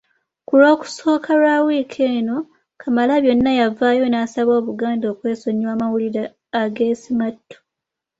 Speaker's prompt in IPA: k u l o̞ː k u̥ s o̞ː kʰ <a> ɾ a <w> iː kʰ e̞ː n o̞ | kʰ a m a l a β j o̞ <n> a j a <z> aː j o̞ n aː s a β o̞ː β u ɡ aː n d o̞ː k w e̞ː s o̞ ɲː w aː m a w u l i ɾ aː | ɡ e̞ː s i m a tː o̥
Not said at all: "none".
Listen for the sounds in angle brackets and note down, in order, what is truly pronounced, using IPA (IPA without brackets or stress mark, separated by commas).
a, w, nː, v